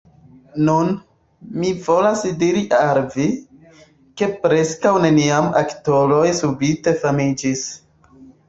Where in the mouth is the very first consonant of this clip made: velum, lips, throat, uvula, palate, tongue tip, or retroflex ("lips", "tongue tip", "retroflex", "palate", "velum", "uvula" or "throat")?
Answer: tongue tip